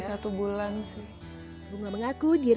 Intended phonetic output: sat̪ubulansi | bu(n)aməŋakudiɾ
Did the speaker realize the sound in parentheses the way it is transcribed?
no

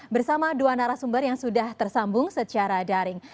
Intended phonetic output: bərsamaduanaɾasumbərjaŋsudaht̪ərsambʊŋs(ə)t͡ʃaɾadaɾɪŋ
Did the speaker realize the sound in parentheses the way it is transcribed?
yes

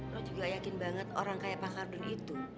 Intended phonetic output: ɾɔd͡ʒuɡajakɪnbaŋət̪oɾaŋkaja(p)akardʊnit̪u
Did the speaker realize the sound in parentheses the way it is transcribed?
yes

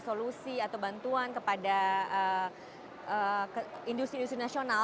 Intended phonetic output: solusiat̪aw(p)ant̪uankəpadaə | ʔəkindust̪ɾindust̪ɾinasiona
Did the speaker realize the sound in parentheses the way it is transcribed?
no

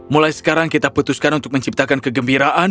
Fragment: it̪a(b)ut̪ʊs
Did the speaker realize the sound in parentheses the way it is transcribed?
no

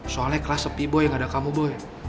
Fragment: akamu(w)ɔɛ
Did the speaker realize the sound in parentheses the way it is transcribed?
no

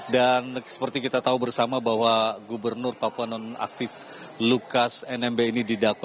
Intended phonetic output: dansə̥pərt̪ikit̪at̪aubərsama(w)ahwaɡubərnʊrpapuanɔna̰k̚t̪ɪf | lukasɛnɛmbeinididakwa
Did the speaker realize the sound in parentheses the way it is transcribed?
no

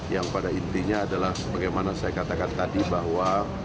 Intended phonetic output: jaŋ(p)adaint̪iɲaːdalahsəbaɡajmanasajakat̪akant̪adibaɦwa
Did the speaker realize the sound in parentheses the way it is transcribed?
yes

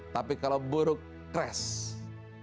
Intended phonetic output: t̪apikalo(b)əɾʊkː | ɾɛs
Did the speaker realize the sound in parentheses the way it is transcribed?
yes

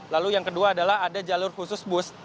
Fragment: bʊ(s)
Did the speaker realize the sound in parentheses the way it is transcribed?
yes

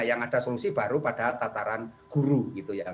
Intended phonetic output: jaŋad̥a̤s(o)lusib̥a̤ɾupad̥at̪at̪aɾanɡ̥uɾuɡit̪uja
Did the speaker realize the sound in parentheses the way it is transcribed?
yes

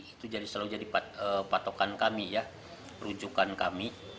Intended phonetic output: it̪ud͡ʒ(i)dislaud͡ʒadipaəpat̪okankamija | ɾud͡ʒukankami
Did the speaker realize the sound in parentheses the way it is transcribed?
no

